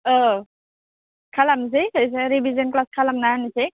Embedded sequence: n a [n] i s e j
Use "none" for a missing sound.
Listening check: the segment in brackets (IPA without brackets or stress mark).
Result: n